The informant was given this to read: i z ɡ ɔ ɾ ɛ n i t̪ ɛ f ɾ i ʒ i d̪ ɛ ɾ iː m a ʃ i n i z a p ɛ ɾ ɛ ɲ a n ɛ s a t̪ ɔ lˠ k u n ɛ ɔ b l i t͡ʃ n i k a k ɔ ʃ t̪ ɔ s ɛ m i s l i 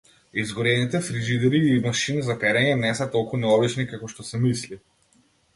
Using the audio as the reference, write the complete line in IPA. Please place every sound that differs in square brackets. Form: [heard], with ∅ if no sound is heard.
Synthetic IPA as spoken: i z ɡ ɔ ɾ ɛ n i t̪ ɛ f ɾ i ʒ i d̪ ɛ ɾ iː m a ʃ i n i z a p ɛ ɾ ɛ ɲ [ɛ] n ɛ s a t̪ ɔ lˠ k u n ɛ ɔ b l i t͡ʃ n i k a k ɔ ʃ t̪ ɔ s ɛ m i s l i